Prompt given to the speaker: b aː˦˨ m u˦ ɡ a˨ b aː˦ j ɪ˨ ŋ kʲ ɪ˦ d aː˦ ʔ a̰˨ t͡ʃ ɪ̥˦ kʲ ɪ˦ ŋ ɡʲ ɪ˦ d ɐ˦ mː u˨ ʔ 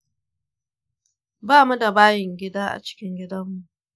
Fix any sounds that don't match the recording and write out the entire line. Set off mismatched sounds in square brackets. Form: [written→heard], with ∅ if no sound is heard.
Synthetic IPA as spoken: b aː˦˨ m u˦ [ɡ→d] a˨ b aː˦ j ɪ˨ ŋ [kʲ→ɡʲ] ɪ˦ d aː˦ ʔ a̰˨ t͡ʃ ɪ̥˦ kʲ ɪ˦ ŋ ɡʲ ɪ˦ d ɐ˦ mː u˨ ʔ

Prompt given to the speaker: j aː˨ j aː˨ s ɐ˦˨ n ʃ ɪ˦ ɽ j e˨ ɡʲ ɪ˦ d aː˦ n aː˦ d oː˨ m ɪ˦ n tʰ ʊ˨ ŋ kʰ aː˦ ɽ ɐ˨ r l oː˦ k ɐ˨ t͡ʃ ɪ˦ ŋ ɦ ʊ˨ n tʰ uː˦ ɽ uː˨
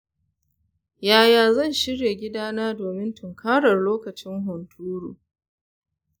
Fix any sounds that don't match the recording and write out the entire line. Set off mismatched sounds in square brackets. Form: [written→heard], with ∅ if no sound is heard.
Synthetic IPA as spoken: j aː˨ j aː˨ [s→z] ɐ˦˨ n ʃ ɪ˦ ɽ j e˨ ɡʲ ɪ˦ d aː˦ n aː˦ d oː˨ m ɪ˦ n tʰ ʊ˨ ŋ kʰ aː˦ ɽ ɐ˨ r l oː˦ k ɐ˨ t͡ʃ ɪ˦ ŋ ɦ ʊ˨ n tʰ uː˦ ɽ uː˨

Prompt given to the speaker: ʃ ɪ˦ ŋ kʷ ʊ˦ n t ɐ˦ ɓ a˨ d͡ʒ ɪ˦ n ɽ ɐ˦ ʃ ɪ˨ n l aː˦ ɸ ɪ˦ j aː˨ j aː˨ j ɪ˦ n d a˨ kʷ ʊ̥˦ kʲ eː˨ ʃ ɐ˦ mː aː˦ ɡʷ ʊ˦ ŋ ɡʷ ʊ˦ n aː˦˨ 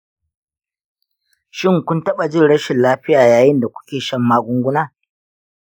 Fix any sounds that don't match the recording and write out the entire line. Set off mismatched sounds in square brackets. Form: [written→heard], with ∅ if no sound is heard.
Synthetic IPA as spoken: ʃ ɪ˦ ŋ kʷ ʊ˦ n t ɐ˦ ɓ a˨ d͡ʒ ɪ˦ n ɽ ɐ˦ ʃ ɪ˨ n l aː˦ ɸ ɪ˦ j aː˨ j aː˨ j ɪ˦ n d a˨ kʷ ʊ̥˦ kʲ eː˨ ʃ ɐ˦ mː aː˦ ɡʷ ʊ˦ ŋ ɡʷ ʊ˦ n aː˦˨

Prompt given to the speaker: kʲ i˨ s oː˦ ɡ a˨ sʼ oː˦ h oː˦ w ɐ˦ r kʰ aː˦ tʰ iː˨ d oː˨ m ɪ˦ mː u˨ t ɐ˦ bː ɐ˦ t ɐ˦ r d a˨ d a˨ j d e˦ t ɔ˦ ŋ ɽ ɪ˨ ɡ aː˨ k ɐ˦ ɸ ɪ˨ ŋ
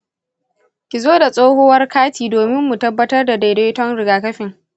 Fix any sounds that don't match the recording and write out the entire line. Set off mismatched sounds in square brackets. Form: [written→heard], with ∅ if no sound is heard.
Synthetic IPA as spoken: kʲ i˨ [s→z] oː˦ [ɡ→d] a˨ sʼ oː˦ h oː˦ w ɐ˦ r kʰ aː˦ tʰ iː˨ d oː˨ m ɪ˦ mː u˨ t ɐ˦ bː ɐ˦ t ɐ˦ r d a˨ d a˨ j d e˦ t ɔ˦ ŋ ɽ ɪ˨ ɡ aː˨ k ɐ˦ ɸ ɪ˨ ŋ

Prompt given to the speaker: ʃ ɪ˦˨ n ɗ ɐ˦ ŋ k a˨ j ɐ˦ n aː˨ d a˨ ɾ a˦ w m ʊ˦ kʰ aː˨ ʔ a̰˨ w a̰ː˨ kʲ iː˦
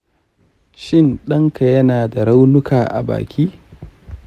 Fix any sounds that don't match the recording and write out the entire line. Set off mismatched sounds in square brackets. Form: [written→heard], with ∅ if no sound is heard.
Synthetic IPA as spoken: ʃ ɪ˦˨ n ɗ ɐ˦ ŋ k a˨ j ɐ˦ n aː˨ d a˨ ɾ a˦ w [m→n] ʊ˦ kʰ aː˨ ʔ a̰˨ [w→b] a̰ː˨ kʲ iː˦

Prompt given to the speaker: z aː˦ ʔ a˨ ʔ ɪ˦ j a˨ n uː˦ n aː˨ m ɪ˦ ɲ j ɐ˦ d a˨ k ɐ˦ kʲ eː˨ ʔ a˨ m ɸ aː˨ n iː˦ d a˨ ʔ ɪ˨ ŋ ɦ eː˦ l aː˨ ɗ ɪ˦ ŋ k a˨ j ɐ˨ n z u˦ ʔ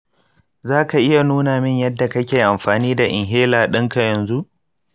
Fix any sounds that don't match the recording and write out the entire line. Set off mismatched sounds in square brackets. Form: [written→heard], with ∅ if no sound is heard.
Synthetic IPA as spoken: z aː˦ [ʔ→k] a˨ ʔ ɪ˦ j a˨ n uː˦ n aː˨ m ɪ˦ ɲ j ɐ˦ [d→dː] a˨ k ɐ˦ kʲ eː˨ ʔ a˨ m ɸ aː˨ n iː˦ d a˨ ʔ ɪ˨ ŋ ɦ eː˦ l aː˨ ɗ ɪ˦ ŋ k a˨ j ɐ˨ n z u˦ ʔ

